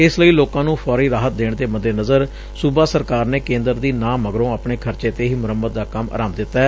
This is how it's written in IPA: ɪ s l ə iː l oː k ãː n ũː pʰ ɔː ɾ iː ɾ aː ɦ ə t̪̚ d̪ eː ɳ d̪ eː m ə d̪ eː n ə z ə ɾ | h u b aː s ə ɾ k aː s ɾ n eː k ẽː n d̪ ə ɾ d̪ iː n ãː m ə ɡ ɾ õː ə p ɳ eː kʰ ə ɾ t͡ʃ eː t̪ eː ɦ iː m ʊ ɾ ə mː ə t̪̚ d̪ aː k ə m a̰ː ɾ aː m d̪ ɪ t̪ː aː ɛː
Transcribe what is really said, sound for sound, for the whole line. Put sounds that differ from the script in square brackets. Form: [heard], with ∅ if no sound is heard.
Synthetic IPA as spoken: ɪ s l ə iː l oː k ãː n ũː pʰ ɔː ɾ iː ɾ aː ɦ ə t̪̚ d̪ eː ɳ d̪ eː m ə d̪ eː n ə z ə ɾ | [s] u b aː s ə ɾ k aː [∅] ɾ n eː k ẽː n d̪ ə ɾ d̪ iː n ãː m ə ɡ ɾ õː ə p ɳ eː kʰ ə ɾ t͡ʃ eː t̪ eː ɦ iː m ʊ ɾ ə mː ə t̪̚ d̪ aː k ə m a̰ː ɾ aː m d̪ ɪ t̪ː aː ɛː